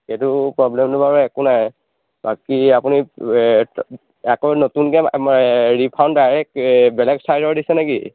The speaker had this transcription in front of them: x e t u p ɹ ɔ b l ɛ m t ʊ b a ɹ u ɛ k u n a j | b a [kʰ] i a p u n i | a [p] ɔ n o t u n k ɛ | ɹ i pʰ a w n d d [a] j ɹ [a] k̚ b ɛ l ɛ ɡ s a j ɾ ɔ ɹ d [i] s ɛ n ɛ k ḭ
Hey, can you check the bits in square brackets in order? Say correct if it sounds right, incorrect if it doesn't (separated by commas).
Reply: incorrect, incorrect, correct, incorrect, correct